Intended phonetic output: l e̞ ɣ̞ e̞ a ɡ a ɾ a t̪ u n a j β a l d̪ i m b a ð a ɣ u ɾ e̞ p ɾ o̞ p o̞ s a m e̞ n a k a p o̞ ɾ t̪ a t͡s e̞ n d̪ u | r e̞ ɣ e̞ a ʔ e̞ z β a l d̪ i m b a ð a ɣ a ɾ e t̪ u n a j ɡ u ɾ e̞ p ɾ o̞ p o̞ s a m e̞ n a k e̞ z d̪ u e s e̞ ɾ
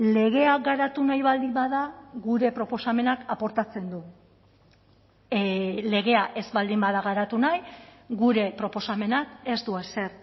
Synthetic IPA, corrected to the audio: l e̞ ɣ̞ e̞ a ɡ a ɾ a t̪ u n a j β a l d̪ i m b a ð a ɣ u ɾ e̞ p ɾ o̞ p o̞ s a m e̞ n a k a p o̞ ɾ t̪ a t͡s e̞ n d̪ u | l e̞ ɣ e̞ a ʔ e̞ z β a l d̪ i m b a ð a ɣ a ɾ a t̪ u n a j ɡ u ɾ e̞ p ɾ o̞ p o̞ s a m e̞ n a k e̞ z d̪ u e s e̞ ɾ